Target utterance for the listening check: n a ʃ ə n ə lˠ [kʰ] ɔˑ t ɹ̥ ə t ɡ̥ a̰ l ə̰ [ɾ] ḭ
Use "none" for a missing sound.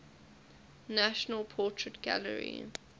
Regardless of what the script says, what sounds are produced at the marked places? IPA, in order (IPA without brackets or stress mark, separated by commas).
pʰ, ɹ